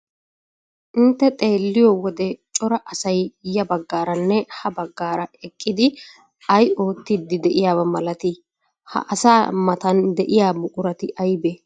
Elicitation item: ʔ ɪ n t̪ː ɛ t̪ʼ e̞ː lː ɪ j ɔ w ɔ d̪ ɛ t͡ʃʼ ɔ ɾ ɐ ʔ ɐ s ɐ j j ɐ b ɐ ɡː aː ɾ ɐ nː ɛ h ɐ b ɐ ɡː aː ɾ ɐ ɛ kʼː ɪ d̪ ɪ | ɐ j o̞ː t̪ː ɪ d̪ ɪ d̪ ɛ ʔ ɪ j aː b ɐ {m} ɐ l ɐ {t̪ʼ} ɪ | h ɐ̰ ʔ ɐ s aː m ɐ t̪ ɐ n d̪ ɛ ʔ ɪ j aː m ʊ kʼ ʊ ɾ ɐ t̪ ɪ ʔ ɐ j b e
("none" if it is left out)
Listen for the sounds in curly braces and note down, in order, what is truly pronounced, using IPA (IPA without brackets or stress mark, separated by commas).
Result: m, t̪